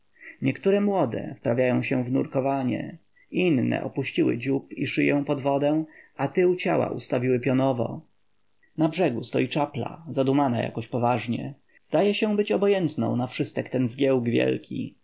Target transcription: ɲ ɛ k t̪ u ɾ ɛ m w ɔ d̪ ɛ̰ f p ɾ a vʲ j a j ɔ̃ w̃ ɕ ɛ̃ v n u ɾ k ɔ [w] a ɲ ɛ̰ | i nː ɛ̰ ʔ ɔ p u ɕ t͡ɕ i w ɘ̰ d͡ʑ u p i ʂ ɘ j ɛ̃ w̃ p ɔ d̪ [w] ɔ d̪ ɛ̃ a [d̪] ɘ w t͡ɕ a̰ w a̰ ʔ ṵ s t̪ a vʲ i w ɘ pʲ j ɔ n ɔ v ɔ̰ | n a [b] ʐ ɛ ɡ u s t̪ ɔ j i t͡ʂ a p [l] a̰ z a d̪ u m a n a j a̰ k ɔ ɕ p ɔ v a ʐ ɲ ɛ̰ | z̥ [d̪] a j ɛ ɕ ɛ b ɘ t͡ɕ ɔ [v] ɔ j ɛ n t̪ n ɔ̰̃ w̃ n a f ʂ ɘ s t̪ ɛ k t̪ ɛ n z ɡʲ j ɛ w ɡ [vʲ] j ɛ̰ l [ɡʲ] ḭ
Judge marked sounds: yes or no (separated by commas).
no, no, no, yes, yes, yes, no, yes, no